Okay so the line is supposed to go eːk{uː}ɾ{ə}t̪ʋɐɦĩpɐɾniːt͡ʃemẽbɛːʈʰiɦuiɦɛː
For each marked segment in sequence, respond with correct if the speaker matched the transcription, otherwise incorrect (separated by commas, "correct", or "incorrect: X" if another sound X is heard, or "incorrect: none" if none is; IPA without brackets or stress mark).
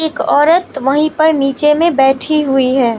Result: incorrect: ɔː, correct